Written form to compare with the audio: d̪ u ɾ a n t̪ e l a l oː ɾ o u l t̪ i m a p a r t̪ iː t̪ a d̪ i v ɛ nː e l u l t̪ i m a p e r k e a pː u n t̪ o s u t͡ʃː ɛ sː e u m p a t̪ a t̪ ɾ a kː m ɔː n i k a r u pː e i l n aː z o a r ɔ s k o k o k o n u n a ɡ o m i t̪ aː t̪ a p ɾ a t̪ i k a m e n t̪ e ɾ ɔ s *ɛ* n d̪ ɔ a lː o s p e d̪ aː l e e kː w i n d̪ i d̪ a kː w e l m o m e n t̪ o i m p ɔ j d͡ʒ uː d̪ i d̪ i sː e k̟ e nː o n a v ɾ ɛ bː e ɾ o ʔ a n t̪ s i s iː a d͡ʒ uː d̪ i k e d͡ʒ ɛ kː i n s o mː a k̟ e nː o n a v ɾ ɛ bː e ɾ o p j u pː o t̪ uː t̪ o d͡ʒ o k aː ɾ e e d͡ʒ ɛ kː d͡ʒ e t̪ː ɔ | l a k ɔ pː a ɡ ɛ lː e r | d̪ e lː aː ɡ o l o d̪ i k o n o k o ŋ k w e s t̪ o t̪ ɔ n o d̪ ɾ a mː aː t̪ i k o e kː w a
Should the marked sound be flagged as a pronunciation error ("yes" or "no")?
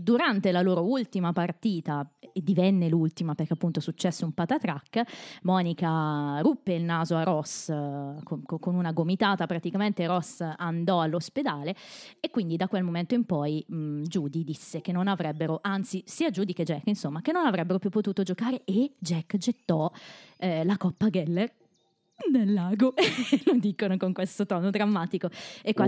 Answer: yes